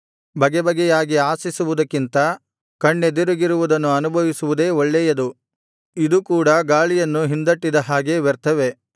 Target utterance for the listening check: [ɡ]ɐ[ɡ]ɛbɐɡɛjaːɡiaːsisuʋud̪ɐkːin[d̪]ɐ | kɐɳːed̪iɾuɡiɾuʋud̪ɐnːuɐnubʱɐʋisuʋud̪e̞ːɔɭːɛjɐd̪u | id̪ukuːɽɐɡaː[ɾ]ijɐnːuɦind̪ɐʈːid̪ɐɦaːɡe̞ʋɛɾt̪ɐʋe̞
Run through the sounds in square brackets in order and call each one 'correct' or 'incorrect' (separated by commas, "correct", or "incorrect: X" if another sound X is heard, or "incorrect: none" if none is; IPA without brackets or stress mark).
incorrect: b, correct, incorrect: t̪, incorrect: ɭ